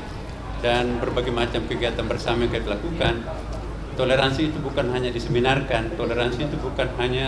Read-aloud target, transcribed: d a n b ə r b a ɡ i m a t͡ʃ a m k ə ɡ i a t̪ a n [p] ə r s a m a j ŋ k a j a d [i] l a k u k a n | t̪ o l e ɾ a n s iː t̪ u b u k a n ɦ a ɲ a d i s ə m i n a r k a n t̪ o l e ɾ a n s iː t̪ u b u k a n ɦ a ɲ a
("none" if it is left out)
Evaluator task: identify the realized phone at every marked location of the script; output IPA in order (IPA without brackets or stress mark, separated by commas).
b, i